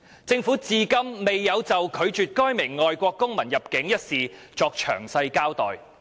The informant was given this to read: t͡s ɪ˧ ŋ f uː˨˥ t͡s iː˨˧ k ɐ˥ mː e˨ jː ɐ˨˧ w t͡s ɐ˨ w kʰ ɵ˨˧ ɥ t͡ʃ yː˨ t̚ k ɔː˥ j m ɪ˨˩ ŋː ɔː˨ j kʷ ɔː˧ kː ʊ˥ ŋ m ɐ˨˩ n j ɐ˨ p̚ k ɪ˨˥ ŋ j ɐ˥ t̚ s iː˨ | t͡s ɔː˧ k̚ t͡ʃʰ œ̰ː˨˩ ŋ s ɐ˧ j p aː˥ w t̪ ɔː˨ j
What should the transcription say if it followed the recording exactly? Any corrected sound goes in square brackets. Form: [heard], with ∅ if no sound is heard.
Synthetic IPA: t͡s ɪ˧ ŋ f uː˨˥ t͡s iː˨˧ k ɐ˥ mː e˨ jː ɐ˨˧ w t͡s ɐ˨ w kʰ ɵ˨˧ ɥ t͡ʃ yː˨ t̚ k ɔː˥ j m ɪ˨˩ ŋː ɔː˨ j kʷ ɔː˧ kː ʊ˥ ŋ m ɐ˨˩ n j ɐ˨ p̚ k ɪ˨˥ ŋ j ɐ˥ t̚ s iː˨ | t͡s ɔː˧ k̚ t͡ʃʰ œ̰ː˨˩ ŋ s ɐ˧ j [k] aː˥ w t̪ ɔː˨ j

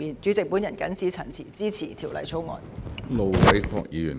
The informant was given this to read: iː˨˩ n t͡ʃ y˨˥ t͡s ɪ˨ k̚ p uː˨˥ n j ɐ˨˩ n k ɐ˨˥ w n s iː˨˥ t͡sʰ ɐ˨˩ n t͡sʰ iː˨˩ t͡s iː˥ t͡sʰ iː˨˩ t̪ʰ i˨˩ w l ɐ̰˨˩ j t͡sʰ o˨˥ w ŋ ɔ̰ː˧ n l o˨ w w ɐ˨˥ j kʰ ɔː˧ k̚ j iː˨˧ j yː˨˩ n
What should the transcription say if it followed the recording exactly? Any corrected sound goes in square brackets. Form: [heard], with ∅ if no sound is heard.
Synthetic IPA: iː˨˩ n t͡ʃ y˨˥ t͡s ɪ˨ k̚ p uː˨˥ n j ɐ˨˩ n k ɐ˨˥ [∅] n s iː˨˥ t͡sʰ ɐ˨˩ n t͡sʰ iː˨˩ t͡s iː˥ t͡sʰ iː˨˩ t̪ʰ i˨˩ w l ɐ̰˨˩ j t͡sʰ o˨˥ w ŋ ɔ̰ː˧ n l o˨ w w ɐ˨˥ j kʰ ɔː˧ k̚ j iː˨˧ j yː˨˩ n

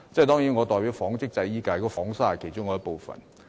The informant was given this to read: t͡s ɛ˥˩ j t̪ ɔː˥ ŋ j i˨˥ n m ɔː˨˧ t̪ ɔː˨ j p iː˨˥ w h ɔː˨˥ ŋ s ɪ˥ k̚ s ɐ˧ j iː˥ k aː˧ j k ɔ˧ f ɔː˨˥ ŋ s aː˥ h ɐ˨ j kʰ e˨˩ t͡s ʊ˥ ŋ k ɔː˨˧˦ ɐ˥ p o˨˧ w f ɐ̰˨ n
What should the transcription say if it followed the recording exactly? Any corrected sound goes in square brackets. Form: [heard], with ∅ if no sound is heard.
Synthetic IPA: t͡s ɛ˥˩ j t̪ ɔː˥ ŋ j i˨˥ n [ŋ] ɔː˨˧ t̪ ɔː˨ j p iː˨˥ w [f] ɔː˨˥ ŋ [t͡s] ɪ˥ k̚ [t͡s] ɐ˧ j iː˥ k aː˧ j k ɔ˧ f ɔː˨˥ ŋ s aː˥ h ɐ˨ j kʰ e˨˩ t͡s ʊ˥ ŋ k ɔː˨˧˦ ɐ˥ p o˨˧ w f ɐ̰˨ n

